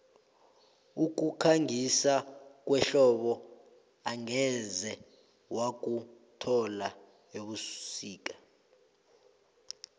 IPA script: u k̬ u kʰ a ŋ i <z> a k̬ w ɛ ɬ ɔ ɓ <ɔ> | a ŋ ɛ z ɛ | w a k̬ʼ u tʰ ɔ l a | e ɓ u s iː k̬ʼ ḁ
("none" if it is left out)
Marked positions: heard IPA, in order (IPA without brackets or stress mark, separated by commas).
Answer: s, ɔ